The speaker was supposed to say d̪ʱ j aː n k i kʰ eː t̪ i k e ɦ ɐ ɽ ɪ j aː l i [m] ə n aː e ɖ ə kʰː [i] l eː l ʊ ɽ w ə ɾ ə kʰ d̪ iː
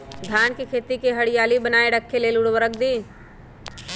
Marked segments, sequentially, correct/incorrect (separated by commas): incorrect, incorrect